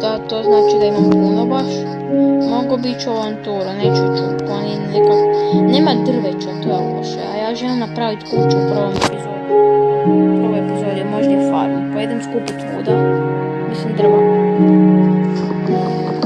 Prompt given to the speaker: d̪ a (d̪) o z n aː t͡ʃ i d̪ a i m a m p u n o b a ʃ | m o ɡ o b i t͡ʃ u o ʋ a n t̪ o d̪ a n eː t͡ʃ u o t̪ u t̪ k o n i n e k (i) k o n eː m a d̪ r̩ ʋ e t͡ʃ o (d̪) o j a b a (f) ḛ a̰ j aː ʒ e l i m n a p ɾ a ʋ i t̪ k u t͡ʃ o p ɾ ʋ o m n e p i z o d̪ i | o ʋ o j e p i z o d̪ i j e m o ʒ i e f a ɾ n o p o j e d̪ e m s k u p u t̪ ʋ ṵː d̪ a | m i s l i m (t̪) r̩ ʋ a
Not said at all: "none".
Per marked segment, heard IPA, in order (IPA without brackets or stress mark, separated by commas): t̪, a, t̪, ʃ, d̪